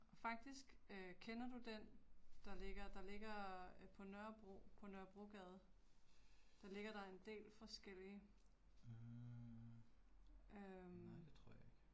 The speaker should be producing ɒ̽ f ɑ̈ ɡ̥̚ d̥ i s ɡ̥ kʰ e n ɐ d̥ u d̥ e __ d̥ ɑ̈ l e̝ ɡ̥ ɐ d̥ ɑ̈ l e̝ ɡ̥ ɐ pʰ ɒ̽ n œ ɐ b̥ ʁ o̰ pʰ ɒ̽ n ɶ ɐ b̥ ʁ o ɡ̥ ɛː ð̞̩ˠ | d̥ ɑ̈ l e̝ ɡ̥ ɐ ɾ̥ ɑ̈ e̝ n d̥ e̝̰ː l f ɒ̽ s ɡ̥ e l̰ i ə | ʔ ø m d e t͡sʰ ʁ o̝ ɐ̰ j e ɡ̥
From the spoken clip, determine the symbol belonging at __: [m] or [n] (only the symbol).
n